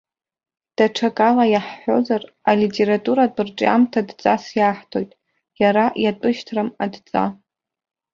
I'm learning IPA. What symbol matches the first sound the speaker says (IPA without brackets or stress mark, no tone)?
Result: d̥